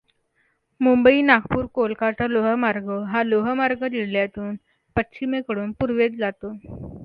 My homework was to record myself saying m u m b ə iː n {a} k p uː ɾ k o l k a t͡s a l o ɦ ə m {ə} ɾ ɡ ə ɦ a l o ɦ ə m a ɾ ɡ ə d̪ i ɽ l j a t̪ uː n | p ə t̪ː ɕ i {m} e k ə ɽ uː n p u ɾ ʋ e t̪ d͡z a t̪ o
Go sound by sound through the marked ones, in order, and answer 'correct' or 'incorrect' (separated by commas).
correct, incorrect, correct